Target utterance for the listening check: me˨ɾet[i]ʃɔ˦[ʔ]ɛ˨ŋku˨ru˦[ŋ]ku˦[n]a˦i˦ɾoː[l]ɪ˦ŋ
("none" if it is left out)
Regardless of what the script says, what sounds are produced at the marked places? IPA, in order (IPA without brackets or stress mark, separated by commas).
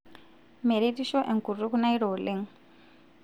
i, ʔ, none, n, l